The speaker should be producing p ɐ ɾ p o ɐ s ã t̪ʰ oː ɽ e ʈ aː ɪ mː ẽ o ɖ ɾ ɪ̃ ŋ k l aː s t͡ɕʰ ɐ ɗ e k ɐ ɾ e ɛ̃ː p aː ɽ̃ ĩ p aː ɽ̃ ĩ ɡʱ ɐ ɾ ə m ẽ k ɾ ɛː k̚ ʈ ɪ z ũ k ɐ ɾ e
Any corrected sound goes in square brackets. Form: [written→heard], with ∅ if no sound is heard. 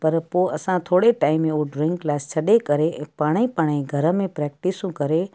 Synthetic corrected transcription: p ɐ ɾ p o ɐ s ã t̪ʰ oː ɽ e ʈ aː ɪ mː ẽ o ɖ ɾ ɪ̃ ŋ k l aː s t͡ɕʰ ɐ ɗ e k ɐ ɾ e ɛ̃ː p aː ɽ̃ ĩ p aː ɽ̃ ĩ ɡʱ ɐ ɾ ə m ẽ [k→p] ɾ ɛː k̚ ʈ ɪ [z→s] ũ k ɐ ɾ e